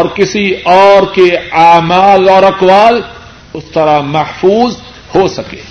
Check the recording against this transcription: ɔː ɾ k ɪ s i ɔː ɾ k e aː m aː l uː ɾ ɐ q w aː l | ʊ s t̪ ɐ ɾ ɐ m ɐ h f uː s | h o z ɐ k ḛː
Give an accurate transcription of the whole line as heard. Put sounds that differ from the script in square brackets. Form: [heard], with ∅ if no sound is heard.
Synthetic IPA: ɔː ɾ k ɪ s i ɔː ɾ k e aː m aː l [ɔː] ɾ ɐ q w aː l | ʊ s t̪ ɐ ɾ [a] m ɐ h f uː [z] | h o [s] ɐ k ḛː